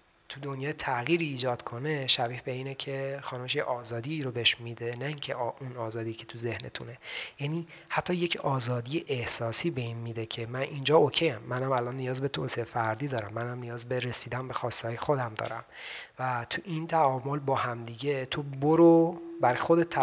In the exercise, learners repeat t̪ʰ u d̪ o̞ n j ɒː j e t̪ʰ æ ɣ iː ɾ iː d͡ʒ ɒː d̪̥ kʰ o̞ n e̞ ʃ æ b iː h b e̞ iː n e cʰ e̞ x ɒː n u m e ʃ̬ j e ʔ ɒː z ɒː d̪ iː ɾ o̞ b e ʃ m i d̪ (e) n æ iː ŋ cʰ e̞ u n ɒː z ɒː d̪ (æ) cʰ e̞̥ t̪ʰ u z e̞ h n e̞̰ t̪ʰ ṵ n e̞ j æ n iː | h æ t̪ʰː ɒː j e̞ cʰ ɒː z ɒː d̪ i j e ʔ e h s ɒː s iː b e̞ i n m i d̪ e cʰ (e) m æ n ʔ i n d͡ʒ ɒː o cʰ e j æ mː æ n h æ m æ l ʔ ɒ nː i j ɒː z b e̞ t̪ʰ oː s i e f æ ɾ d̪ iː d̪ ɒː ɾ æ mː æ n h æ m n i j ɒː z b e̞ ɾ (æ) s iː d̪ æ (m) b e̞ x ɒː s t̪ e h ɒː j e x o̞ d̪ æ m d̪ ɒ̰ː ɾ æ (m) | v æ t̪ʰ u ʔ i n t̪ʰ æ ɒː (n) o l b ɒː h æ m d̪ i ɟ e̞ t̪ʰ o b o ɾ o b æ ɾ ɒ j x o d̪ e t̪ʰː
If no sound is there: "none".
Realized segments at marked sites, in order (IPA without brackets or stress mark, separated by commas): e, i, e, e, n, m, m